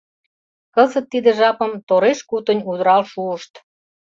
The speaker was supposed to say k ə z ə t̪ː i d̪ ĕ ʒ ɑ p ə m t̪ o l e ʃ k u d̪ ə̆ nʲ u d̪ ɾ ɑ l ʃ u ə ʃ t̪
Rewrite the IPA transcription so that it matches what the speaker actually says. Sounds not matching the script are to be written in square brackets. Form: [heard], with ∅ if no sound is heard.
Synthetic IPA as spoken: k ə z ə t̪ː i d̪ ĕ ʒ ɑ p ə m t̪ o [ɾ] e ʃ k u [t̪] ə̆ nʲ u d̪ ɾ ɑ l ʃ u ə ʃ t̪